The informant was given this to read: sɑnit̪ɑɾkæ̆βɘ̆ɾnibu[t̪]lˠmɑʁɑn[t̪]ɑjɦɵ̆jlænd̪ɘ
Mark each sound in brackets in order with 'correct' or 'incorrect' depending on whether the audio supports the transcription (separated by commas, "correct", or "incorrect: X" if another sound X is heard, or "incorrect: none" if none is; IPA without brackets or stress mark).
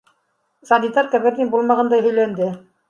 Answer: incorrect: none, incorrect: d̪